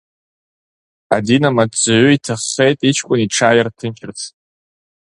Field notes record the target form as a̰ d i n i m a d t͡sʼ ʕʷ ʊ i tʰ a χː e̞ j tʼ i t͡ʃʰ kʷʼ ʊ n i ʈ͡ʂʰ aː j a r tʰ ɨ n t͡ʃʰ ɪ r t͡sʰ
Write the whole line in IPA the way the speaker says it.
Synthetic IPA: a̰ d i n a m a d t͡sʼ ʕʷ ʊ i tʰ a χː e̞ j tʼ i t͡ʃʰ kʷʼ ʊ n i ʈ͡ʂʰ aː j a r tʰ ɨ n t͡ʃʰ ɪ r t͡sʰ